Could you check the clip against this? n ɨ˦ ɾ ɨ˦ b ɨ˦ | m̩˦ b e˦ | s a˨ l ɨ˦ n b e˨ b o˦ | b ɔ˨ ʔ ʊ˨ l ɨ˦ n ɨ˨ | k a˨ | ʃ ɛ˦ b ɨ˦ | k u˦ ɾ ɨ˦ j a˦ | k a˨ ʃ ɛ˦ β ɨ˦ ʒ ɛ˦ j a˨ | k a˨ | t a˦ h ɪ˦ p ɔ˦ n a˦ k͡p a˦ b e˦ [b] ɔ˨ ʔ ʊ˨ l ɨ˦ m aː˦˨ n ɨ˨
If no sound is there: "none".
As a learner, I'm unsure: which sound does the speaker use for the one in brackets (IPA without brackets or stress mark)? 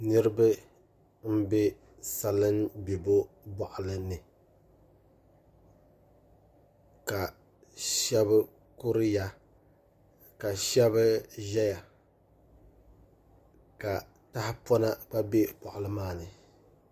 p